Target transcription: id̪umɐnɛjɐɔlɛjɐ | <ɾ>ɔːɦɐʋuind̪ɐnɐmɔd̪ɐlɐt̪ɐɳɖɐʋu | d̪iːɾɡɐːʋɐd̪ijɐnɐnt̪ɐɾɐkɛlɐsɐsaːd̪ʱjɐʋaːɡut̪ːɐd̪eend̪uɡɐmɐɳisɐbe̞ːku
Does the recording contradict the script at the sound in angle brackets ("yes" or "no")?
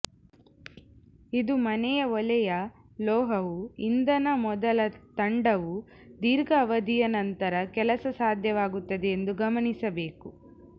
yes